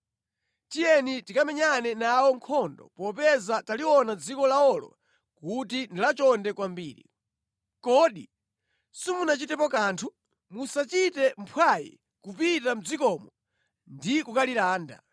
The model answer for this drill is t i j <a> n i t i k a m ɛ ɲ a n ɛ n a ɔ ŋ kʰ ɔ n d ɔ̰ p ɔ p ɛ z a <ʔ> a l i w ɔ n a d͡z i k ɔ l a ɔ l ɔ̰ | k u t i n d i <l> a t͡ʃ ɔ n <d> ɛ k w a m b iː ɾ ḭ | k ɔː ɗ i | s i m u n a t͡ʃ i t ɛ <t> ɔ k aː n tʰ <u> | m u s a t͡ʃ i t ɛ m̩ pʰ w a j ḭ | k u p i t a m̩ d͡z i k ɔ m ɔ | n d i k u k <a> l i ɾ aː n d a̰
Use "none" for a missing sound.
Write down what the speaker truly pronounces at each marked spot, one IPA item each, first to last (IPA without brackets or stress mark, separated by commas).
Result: ɛ, t, l, d, p, u, a